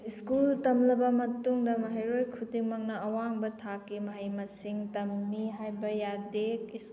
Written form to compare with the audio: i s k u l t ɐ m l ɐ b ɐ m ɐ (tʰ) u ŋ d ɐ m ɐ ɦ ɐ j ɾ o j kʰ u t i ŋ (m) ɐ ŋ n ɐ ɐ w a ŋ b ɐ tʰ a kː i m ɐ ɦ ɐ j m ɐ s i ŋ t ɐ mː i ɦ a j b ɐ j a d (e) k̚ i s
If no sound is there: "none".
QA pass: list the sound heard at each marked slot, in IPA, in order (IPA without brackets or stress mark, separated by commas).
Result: t, m, e